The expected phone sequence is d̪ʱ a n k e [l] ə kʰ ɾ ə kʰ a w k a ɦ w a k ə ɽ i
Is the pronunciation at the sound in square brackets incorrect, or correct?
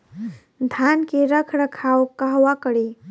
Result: incorrect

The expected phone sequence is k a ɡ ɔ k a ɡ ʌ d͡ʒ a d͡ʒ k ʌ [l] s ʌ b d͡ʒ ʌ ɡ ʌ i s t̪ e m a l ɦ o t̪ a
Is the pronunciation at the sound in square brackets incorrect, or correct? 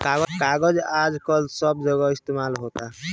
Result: correct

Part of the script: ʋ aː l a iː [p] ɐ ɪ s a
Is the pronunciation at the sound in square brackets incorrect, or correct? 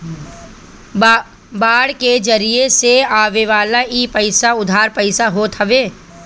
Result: correct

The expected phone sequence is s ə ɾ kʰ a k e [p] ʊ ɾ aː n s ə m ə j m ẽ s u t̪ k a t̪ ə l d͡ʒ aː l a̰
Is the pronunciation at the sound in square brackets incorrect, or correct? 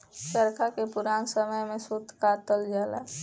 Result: correct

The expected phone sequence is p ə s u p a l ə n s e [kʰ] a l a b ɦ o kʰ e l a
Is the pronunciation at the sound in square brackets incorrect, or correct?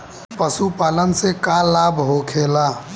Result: incorrect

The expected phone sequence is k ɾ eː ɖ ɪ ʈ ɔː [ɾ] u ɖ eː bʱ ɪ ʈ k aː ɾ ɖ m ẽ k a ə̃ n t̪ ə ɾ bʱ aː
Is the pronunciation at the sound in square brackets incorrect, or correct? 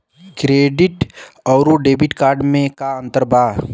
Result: correct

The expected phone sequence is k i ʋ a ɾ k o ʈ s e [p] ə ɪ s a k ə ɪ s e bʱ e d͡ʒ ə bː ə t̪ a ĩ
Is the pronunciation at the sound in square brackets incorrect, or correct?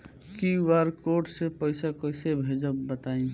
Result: correct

